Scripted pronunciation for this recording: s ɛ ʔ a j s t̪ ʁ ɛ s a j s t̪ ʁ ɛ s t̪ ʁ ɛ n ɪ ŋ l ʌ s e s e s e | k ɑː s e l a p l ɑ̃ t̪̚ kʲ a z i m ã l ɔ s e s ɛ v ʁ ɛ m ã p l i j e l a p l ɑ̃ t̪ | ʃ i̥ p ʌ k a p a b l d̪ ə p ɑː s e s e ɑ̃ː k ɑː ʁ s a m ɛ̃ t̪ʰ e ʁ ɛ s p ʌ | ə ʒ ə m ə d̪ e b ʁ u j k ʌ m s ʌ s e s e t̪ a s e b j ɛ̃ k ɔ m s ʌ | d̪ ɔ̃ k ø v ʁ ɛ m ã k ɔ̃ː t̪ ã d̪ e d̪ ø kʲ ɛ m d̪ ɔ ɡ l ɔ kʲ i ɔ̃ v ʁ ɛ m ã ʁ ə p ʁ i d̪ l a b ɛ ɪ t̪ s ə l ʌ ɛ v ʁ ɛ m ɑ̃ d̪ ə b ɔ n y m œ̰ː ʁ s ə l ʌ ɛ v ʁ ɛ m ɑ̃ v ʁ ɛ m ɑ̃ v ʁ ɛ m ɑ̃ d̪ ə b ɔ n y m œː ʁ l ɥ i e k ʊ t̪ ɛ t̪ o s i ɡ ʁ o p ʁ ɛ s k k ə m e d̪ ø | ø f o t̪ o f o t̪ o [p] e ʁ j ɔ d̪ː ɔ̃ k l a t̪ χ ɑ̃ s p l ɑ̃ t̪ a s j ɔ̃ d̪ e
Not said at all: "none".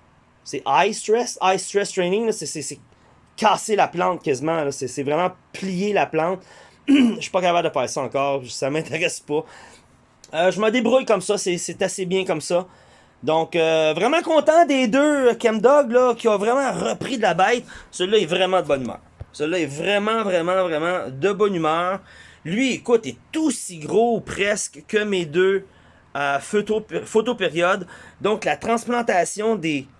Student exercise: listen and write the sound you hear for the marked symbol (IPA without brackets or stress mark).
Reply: p